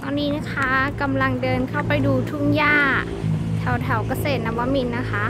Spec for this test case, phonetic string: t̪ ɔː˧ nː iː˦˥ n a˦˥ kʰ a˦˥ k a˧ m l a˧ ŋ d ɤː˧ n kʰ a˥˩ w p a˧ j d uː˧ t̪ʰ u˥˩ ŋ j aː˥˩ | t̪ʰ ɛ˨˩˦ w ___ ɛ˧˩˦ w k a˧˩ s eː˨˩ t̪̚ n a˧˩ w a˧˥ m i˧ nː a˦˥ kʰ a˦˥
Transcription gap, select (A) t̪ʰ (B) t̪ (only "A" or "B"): A